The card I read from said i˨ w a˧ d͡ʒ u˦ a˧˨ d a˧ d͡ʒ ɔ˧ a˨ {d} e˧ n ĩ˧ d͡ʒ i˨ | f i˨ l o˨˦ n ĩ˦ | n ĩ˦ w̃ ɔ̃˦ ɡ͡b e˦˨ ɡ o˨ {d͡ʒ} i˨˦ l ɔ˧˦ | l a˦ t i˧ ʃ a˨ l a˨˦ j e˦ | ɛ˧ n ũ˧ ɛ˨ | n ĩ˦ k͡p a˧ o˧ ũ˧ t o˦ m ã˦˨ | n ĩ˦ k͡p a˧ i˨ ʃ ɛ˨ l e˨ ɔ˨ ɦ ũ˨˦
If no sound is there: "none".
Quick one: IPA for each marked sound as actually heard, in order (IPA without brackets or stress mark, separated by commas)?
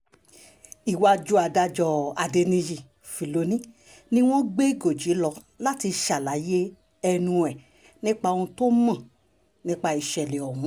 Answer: d, d͡ʒ